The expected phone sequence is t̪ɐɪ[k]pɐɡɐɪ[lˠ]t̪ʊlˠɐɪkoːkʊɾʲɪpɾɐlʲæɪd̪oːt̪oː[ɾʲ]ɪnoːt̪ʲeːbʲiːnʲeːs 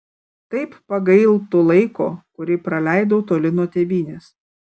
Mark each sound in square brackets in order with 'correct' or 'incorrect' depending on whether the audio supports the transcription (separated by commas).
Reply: incorrect, correct, incorrect